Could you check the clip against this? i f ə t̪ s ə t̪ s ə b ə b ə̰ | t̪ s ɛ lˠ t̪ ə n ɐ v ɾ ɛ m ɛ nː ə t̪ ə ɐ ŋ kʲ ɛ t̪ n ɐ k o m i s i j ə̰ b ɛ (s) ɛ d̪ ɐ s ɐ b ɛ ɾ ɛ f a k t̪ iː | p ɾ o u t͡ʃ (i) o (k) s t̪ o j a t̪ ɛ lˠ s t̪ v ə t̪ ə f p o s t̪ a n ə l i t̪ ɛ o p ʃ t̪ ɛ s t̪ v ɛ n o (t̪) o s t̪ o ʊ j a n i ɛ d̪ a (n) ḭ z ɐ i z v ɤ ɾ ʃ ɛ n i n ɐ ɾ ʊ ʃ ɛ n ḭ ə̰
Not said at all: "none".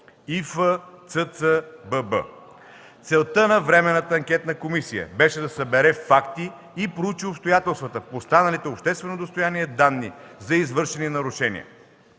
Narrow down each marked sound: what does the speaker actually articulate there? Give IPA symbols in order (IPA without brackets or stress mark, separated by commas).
ʃ, i, p, d̪, nː